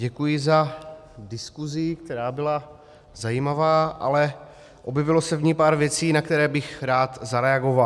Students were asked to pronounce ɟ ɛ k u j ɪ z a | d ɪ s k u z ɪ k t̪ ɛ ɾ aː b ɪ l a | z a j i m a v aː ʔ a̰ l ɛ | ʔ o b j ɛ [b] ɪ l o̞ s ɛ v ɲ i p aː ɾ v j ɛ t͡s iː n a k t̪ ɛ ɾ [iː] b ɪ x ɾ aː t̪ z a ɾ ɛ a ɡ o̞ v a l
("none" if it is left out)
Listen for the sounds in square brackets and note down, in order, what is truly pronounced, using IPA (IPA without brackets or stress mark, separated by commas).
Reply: v, ɛː